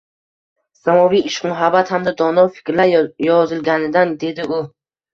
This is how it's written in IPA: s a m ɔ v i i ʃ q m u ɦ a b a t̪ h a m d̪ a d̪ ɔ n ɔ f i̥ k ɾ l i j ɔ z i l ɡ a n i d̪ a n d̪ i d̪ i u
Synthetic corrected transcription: s a m ɔ v i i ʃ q m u ɦ a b a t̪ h a m d̪ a d̪ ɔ n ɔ f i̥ k ɾ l a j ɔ z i l ɡ a n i d̪ a n d̪ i d̪ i u